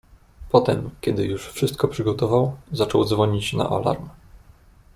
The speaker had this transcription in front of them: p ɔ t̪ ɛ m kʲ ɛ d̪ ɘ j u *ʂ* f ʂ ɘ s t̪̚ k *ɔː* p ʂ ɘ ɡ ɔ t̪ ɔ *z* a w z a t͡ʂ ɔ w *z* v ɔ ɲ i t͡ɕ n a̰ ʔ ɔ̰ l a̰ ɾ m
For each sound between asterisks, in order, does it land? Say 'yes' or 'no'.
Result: yes, no, no, yes

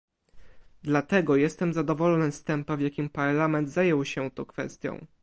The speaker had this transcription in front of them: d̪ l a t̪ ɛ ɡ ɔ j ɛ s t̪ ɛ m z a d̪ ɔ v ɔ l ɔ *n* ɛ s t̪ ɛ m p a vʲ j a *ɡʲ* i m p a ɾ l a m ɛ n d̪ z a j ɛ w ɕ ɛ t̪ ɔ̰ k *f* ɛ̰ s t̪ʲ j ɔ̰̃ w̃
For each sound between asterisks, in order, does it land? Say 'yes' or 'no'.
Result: yes, no, yes

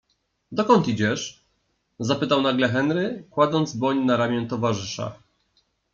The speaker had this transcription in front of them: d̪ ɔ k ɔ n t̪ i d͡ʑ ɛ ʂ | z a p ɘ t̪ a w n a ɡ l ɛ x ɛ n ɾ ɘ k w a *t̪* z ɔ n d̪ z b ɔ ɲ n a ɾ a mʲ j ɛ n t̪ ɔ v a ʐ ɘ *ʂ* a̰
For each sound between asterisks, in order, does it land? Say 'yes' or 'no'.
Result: no, yes

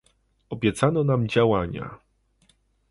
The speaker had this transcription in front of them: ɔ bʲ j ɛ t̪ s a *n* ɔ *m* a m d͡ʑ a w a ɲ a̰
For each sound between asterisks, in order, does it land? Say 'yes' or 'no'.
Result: yes, no

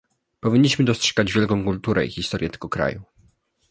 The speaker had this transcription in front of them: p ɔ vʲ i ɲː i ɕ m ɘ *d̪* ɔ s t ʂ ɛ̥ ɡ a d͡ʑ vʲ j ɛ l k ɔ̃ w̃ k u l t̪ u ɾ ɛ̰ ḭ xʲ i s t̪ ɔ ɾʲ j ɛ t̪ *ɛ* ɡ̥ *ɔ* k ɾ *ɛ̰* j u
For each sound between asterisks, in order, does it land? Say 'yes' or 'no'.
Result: yes, yes, yes, no

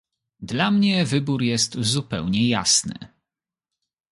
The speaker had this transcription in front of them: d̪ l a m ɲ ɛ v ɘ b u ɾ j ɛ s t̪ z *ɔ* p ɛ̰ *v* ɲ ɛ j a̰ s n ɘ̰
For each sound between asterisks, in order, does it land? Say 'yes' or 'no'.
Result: no, no

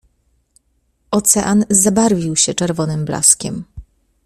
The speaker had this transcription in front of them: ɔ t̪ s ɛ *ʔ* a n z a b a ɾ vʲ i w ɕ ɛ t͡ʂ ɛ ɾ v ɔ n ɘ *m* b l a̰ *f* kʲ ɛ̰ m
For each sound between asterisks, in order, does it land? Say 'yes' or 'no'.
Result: yes, yes, no

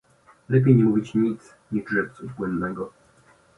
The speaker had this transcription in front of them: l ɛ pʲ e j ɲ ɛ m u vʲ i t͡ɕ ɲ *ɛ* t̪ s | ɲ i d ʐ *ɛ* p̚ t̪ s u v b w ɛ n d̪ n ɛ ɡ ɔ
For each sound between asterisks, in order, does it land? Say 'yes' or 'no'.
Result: no, yes

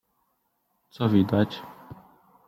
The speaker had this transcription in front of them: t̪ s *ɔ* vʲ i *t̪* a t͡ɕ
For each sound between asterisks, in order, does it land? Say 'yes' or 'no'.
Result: yes, no

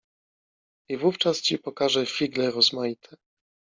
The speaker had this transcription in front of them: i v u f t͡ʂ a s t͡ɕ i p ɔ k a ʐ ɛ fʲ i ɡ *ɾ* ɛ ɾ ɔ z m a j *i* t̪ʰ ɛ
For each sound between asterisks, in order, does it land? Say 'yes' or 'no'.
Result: no, yes

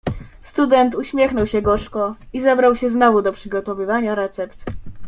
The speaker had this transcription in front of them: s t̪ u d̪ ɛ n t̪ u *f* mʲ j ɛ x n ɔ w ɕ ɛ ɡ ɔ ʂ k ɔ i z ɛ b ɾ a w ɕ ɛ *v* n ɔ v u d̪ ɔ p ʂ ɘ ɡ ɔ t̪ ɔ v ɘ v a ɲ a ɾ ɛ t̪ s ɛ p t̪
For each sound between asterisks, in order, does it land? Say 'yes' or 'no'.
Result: no, no

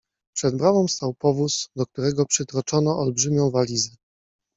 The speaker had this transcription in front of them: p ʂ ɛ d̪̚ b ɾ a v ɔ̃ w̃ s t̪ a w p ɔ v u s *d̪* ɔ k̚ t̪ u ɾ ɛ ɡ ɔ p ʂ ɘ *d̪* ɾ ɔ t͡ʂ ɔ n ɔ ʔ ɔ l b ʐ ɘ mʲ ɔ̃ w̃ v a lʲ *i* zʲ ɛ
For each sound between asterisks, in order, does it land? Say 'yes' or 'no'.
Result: yes, no, yes

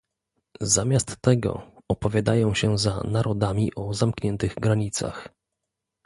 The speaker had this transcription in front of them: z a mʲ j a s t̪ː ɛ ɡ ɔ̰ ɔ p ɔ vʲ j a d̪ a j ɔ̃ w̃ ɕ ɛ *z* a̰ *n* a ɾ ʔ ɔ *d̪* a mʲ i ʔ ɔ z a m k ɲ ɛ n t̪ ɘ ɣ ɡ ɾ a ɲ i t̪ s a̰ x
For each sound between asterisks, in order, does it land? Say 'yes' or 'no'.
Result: yes, yes, yes

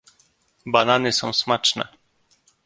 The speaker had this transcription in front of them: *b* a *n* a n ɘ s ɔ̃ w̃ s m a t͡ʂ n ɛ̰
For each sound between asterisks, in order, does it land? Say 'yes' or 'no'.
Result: yes, yes

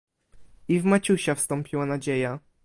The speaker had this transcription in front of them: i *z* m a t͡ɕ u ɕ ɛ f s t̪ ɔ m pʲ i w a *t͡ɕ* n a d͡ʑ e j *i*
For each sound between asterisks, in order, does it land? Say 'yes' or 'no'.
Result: no, no, no

